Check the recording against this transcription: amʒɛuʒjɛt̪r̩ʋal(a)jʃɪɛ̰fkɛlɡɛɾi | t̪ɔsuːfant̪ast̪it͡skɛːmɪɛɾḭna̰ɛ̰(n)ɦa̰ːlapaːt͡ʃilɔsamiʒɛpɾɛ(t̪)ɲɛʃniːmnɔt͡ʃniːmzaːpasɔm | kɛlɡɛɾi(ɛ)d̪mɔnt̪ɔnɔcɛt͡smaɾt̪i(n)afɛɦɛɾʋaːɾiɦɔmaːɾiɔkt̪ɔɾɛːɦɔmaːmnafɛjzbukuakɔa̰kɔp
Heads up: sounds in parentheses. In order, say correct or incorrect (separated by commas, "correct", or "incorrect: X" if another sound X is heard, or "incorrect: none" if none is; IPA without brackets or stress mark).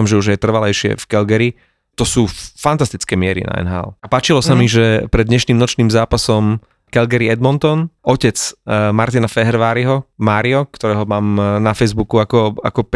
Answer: incorrect: ɛ, correct, incorrect: d̪, correct, correct